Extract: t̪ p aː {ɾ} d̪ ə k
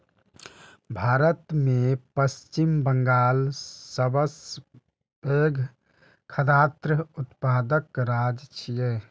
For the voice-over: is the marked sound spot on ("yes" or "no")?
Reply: no